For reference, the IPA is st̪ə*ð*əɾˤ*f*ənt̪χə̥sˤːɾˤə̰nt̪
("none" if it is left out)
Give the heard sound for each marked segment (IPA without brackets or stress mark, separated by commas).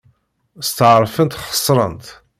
ʕ, f